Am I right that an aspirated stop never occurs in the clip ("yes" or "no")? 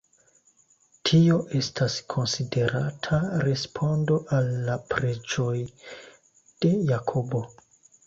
no